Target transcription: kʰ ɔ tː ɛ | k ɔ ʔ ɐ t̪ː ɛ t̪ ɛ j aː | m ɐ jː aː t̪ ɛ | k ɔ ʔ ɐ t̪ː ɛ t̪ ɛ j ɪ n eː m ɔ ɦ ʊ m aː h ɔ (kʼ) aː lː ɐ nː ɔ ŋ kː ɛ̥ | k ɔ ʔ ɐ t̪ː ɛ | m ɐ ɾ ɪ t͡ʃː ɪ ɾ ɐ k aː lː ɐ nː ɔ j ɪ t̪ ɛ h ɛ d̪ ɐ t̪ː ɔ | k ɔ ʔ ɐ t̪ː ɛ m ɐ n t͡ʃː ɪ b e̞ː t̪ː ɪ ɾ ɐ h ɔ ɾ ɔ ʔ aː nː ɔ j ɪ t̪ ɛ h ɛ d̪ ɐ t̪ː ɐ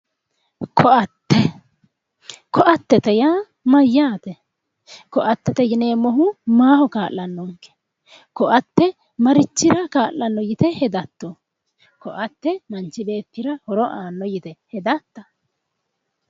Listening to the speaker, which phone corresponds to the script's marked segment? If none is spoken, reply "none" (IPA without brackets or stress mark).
k